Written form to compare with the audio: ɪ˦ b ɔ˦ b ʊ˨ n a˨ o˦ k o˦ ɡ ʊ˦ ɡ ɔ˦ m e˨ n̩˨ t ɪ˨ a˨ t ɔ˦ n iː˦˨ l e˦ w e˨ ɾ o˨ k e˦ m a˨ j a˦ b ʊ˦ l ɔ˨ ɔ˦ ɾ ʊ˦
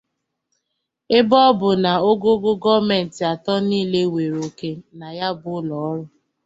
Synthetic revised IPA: ɪ˦ b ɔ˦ b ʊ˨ n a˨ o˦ ɡ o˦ ɡ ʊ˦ ɡ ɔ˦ m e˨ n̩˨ t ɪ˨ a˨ t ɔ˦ n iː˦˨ l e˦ w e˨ ɾ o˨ k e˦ n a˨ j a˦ b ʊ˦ l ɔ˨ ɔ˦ ɾ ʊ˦